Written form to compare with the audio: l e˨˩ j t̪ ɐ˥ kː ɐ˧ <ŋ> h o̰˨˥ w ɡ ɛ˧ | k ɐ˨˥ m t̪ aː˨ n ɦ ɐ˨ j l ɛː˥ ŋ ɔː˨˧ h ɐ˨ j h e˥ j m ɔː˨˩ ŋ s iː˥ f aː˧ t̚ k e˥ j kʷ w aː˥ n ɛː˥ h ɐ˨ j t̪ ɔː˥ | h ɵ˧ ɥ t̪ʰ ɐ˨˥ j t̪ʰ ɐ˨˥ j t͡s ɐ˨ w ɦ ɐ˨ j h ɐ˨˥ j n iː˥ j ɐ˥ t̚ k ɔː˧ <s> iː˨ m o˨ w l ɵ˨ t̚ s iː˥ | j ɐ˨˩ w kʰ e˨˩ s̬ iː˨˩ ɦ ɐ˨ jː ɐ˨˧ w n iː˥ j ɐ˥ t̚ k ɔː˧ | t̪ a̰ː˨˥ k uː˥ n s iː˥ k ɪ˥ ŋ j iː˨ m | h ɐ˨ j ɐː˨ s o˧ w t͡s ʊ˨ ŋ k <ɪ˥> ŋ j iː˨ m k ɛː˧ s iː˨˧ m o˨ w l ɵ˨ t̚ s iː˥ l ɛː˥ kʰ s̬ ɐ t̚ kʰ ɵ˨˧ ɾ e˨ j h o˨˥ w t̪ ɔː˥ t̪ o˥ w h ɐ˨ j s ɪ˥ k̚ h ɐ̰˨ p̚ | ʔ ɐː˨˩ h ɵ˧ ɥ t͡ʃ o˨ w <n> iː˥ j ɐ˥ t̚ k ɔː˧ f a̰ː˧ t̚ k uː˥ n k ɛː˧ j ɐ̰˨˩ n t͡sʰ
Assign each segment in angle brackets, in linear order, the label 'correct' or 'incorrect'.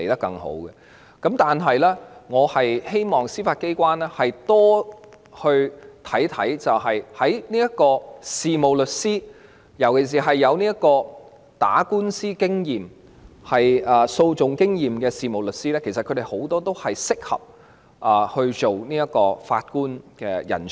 correct, correct, correct, correct

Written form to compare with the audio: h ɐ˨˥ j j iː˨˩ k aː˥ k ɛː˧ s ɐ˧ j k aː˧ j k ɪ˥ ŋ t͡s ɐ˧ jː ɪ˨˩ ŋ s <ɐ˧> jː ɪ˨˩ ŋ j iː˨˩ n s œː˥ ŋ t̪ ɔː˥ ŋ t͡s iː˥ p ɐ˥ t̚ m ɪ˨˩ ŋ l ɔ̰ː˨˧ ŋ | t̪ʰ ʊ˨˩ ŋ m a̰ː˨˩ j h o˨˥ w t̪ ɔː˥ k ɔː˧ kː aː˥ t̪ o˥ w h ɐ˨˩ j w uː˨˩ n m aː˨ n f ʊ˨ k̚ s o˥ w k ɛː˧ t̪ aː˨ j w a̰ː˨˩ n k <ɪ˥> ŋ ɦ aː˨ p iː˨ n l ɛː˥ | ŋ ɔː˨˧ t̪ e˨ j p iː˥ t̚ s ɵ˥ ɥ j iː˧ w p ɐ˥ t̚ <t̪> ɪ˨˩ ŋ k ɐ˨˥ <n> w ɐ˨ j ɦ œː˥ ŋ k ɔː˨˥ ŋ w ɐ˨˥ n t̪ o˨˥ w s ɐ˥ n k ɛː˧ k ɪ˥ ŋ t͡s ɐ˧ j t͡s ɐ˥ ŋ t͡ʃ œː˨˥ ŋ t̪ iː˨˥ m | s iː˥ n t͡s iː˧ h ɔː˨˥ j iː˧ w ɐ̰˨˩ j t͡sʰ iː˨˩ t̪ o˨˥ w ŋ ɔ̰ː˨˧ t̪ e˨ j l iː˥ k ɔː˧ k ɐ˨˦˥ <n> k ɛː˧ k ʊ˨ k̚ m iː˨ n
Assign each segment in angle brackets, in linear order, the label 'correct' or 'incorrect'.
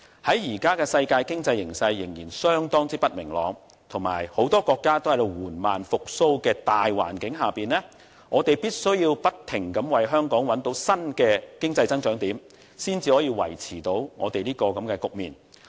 correct, incorrect, incorrect, incorrect, incorrect

